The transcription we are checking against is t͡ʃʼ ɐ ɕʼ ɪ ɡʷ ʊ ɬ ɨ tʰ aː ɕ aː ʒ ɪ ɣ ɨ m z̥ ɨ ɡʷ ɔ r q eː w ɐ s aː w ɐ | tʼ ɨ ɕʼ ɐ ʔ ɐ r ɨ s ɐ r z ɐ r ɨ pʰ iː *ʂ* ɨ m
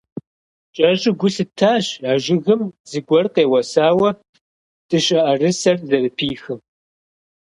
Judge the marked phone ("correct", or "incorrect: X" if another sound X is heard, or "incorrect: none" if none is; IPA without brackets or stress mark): incorrect: x